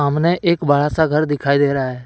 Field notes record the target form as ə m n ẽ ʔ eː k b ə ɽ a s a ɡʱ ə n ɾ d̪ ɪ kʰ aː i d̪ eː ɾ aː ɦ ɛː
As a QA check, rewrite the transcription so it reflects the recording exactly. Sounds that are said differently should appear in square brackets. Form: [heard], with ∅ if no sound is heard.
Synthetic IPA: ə m n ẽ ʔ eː k b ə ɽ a s a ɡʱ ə [∅] ɾ d̪ ɪ kʰ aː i d̪ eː ɾ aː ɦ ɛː